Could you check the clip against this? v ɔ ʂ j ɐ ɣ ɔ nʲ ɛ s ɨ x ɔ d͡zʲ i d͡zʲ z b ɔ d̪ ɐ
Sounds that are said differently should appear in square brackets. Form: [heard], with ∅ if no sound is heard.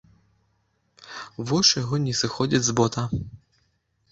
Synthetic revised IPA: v ɔ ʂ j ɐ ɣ ɔ nʲ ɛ s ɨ x ɔ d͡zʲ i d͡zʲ z b ɔ [t̪] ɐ